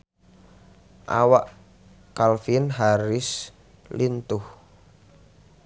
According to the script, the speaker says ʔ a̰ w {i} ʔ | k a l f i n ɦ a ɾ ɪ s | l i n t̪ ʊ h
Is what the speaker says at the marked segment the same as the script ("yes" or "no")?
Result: no